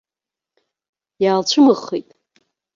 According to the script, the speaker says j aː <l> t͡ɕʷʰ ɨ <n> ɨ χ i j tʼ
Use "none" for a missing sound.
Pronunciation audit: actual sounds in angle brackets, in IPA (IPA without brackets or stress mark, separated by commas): l, m